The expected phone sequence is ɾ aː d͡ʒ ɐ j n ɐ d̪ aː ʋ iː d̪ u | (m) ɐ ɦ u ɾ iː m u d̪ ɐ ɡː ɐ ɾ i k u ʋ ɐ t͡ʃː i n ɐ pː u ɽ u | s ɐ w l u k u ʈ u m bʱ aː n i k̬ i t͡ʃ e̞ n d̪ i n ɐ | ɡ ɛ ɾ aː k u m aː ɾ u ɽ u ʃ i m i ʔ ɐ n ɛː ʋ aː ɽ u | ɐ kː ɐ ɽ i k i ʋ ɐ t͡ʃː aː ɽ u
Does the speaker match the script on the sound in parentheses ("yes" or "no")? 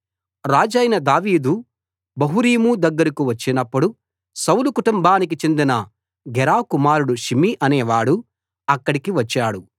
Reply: no